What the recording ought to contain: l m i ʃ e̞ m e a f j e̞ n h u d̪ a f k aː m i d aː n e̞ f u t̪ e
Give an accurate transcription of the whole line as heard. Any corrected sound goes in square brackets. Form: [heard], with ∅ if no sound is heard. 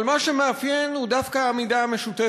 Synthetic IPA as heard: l m [a] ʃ e̞ m e a f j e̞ n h u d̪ a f k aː m i d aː [m] e̞ [ʃ] u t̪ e